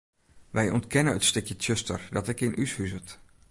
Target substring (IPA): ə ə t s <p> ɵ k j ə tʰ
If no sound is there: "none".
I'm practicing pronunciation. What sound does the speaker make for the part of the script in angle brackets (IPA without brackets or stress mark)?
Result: t